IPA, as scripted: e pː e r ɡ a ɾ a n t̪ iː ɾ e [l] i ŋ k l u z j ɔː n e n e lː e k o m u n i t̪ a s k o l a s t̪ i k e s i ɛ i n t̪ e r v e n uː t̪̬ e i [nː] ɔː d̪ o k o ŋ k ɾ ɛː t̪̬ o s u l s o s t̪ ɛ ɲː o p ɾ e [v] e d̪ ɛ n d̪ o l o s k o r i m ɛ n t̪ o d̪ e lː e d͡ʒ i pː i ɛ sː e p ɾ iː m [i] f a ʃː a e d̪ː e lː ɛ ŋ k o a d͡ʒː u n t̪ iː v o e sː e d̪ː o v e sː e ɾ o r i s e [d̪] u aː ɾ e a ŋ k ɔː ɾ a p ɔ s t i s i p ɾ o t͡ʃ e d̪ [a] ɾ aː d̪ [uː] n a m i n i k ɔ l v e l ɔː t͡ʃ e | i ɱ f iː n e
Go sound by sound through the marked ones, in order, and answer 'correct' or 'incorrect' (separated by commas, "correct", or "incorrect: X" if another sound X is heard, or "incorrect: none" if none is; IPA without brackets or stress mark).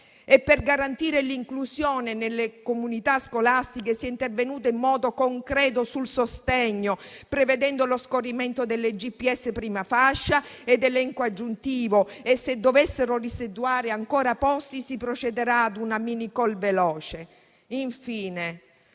correct, incorrect: mː, correct, incorrect: a, correct, incorrect: e, incorrect: u